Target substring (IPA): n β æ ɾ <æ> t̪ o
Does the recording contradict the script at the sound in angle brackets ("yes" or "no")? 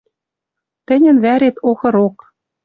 yes